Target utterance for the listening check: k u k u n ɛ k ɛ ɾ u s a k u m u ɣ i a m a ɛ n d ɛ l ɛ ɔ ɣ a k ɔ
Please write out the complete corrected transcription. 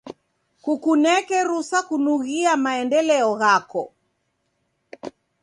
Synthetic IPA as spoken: k u k u n ɛ k ɛ ɾ u s a k u n u ɣ i a m a ɛ n d ɛ l ɛ ɔ ɣ a k ɔ